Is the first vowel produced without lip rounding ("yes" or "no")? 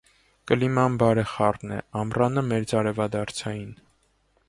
yes